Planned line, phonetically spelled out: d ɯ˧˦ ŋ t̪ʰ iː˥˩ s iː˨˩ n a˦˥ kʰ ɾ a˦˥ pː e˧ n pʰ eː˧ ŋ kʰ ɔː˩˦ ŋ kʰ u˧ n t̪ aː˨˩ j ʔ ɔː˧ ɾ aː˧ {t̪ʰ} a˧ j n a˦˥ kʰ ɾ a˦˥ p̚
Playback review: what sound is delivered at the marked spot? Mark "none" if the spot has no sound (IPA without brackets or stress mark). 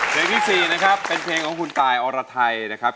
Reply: t̪ʰ